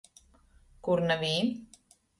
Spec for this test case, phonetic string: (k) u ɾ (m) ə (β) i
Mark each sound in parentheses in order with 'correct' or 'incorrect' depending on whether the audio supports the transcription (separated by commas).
correct, incorrect, correct